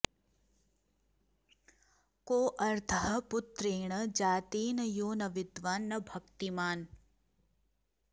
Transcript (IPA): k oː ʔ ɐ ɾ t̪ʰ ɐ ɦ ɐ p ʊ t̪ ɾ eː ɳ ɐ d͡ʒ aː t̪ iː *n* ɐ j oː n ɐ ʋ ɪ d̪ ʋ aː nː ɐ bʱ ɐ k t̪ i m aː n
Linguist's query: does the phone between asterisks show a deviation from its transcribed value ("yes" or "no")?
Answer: no